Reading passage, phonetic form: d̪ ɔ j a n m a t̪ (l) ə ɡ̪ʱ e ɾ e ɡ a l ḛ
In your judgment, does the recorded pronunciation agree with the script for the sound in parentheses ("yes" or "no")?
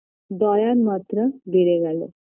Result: no